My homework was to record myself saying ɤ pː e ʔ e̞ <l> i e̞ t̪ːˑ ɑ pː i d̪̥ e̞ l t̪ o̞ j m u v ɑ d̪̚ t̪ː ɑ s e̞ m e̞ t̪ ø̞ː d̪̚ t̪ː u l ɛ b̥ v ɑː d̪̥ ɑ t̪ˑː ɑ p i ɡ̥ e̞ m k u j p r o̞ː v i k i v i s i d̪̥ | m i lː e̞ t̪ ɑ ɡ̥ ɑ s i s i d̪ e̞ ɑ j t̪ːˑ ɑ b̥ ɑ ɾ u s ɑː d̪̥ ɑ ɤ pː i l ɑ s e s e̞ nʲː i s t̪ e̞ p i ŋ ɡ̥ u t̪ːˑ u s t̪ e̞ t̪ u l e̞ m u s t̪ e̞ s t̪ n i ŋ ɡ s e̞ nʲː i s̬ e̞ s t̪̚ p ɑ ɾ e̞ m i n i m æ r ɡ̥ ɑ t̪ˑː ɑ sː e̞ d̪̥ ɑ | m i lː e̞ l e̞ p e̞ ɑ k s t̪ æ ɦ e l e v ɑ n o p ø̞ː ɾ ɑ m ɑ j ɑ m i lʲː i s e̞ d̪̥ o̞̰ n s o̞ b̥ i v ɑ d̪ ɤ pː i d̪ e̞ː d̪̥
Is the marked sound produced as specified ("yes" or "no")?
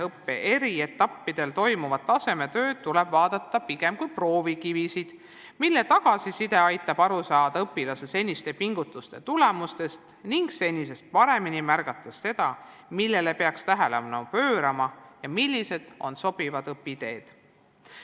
no